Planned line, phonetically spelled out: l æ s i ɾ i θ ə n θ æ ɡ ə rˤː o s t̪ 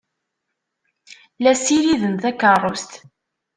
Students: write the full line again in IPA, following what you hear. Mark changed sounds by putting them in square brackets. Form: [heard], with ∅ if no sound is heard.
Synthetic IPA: l æ s i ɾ i [ð] ə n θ æ [k] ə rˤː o s t̪